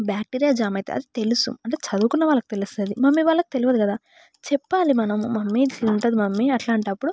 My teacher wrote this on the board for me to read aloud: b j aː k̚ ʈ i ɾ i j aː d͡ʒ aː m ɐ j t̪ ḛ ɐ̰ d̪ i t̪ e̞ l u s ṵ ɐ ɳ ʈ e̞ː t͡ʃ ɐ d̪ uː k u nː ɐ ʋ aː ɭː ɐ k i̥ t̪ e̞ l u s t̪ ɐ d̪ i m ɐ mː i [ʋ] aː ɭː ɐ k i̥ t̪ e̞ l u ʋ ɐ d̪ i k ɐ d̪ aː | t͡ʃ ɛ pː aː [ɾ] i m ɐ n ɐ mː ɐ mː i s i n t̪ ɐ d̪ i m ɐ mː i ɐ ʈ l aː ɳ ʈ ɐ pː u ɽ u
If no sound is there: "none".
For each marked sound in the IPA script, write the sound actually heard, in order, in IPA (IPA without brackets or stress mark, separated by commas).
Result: ʋ, l